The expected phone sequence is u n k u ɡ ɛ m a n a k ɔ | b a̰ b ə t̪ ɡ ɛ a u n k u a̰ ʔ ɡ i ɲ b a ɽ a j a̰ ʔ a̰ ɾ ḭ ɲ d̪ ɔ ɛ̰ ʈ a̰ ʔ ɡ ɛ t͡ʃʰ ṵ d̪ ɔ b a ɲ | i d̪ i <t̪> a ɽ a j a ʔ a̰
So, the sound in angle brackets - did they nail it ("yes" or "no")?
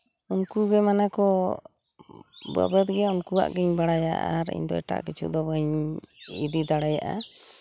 no